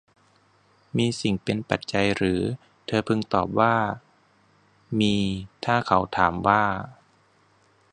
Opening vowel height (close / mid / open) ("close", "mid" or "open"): close